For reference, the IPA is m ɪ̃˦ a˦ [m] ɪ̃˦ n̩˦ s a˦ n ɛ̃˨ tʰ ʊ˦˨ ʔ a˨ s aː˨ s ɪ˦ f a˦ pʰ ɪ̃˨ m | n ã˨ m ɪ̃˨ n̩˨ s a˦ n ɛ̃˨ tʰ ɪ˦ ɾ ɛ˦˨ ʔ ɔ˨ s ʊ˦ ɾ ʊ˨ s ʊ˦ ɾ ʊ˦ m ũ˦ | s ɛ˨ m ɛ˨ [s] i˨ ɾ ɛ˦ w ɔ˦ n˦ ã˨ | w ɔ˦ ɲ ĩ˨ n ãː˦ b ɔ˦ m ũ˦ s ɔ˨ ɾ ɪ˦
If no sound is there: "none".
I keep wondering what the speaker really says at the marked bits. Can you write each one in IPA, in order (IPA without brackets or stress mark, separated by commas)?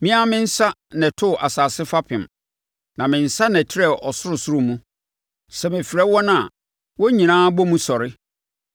m, f